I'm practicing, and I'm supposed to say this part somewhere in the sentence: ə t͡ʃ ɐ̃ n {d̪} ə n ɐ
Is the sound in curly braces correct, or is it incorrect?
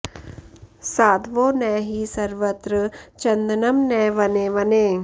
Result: correct